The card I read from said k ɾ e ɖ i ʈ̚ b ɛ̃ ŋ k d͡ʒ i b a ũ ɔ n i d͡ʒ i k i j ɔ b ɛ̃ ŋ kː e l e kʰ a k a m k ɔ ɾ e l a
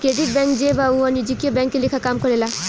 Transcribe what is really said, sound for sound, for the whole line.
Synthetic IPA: k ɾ e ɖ i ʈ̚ b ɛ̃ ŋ k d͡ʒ e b a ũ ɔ n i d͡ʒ i k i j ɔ b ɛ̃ ŋ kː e l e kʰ a k a m k ɔ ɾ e l a